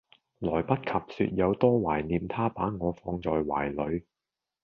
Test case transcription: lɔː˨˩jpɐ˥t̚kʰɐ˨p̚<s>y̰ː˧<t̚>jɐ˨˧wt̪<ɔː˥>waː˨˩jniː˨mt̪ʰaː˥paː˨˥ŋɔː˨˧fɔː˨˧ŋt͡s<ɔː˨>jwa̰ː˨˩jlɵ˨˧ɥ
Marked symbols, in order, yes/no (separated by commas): yes, yes, yes, yes